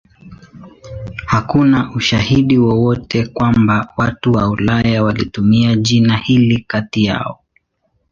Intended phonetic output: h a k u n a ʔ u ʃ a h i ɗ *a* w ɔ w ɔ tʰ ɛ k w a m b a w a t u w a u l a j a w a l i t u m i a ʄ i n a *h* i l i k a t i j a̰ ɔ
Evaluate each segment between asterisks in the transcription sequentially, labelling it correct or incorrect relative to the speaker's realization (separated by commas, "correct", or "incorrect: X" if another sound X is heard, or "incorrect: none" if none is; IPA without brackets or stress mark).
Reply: incorrect: i, correct